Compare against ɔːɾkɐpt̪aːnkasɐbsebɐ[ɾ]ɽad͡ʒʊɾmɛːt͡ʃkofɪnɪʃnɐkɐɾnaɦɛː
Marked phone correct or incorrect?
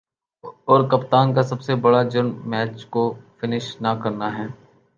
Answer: incorrect